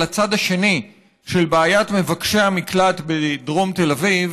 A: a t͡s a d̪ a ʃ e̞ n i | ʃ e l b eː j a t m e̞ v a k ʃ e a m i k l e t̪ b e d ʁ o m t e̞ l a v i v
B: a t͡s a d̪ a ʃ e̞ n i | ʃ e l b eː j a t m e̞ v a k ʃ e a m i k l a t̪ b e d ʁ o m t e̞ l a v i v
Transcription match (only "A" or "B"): B